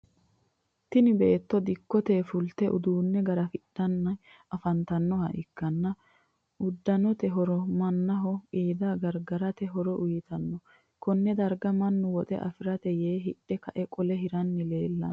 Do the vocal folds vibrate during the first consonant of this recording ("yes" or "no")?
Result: no